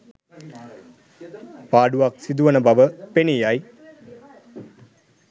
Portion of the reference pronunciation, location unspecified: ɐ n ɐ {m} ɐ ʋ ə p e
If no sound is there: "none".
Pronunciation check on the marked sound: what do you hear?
b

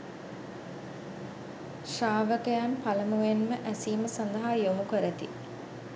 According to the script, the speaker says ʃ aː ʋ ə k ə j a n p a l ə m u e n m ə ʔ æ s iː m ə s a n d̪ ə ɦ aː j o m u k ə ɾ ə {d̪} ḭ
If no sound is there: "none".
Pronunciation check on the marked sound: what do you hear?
t̪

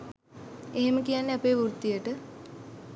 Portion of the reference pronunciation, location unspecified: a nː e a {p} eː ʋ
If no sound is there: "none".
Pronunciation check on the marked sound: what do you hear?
p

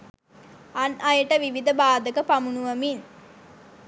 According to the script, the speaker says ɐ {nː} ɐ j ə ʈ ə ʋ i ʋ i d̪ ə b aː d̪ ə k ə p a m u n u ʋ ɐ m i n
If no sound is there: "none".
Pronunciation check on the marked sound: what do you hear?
n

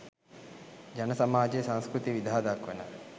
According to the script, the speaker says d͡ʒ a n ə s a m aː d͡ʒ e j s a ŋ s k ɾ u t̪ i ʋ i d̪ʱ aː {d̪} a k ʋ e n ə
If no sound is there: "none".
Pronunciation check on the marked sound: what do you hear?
d̪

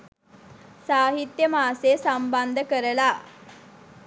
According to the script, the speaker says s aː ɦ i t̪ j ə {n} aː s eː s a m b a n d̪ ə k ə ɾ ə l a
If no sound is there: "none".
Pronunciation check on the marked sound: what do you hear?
m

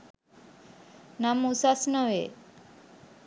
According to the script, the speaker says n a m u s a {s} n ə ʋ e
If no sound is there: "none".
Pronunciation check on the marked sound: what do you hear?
s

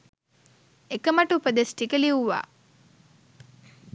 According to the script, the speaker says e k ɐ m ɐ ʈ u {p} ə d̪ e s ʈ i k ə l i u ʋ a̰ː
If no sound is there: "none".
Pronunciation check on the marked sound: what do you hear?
p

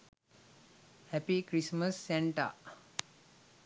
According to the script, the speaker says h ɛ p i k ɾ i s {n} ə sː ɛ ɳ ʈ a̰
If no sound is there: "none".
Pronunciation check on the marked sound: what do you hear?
m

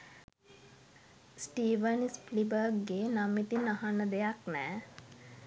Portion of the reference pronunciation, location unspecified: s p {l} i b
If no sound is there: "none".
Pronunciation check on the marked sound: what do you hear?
l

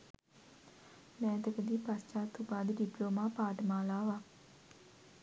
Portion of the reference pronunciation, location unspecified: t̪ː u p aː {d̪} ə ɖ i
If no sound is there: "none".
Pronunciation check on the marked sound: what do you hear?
d̪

